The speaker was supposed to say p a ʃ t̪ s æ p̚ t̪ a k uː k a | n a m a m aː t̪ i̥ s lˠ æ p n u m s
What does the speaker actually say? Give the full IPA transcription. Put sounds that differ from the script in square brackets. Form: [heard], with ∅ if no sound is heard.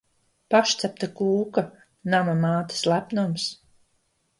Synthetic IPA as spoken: p a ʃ t̪ s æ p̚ t̪ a k uː k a | n a m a m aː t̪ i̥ s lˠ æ p n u m s